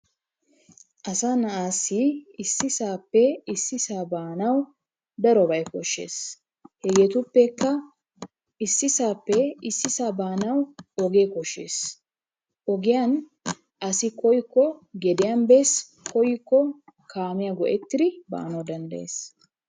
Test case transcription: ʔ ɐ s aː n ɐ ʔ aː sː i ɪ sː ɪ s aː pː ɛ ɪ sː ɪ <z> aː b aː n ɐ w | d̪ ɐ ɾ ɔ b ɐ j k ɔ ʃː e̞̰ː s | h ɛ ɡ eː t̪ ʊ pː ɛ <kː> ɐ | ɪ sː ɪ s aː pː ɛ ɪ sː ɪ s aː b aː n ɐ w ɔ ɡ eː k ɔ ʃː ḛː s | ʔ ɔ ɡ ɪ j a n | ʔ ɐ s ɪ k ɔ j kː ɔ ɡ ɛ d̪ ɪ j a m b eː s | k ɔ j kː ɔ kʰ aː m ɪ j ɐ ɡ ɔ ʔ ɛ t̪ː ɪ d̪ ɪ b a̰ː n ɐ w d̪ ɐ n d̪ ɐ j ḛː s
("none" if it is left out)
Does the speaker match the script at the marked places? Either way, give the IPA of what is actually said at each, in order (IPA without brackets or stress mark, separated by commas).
s, kː